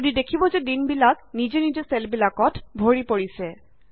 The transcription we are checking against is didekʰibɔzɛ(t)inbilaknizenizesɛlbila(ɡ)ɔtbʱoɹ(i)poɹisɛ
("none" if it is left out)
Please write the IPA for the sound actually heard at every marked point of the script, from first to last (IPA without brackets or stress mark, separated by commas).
d, k, i